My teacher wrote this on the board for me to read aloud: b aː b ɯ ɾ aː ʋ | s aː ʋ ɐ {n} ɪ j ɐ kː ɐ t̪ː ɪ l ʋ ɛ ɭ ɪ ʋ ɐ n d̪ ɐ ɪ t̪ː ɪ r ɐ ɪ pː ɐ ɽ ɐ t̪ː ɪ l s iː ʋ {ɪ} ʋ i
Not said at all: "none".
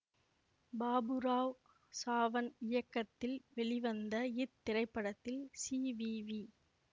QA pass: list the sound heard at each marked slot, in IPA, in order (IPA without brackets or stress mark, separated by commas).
n, i